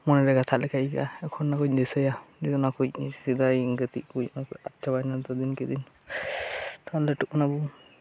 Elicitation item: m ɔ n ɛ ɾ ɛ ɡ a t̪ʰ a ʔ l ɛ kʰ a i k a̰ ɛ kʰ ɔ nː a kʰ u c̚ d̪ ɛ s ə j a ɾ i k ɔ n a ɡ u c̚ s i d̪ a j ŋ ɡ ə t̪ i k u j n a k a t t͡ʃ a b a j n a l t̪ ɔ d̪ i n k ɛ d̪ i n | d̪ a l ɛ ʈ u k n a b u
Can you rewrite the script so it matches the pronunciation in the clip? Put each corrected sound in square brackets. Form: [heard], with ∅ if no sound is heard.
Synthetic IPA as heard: m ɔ n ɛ ɾ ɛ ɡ a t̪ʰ a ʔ l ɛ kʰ a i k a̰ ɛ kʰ ɔ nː a [k] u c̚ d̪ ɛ s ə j a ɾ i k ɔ n a [k] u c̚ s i d̪ a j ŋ ɡ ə t̪ i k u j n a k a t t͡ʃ a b a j n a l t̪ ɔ d̪ i n k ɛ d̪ i n | [t̪] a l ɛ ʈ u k n a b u